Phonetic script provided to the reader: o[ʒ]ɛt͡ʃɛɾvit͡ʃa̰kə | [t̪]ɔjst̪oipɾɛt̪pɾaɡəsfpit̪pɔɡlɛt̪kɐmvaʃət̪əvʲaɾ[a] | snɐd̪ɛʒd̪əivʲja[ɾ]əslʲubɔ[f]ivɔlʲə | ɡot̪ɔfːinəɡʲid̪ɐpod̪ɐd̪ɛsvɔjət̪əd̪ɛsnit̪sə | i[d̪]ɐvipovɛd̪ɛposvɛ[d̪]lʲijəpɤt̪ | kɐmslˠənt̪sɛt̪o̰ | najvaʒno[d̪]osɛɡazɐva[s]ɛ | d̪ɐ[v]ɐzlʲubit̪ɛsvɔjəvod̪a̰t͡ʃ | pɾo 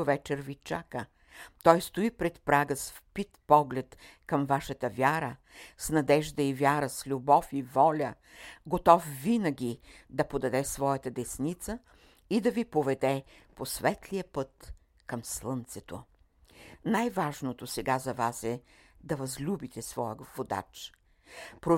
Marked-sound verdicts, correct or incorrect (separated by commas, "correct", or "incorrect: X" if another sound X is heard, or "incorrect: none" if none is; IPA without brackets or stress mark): incorrect: v, correct, incorrect: ə, correct, correct, correct, incorrect: t̪, incorrect: t̪, correct, correct